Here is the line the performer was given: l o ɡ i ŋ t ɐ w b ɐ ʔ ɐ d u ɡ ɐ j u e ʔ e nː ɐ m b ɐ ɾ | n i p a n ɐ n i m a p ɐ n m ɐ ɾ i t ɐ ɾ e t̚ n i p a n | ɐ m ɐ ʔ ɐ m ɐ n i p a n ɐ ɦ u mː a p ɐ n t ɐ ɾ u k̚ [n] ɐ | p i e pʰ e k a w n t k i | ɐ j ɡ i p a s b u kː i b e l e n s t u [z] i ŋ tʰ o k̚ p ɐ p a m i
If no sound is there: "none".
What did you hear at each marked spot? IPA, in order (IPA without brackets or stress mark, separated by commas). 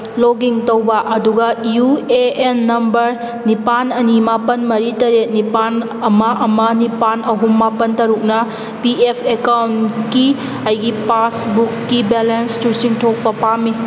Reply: n, s